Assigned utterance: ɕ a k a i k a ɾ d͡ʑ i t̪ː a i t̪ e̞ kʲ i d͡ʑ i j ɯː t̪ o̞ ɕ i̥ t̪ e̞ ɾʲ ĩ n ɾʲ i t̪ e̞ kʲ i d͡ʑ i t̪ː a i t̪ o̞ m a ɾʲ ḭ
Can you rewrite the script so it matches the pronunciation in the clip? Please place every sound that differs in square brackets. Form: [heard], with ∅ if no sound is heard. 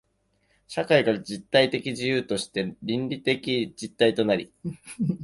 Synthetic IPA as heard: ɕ a k a i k a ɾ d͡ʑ i t̪ː a i t̪ e̞ kʲ i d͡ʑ i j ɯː t̪ o̞ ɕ i̥ t̪ e̞ ɾʲ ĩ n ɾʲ i t̪ e̞ kʲ i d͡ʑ i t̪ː a i t̪ o̞ [n] a ɾʲ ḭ